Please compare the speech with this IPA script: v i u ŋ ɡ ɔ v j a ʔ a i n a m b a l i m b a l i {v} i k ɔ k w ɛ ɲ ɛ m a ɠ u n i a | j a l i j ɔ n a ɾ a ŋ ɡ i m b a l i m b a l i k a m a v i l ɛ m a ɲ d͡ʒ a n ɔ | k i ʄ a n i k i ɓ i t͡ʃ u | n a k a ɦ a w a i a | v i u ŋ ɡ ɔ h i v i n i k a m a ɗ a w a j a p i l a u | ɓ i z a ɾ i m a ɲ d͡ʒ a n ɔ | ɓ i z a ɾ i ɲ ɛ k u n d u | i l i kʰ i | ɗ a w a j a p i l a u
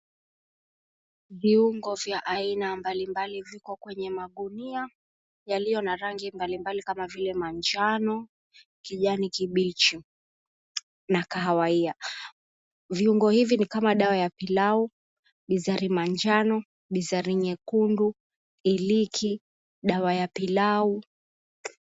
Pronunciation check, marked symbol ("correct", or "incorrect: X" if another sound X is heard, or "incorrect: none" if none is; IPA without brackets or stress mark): correct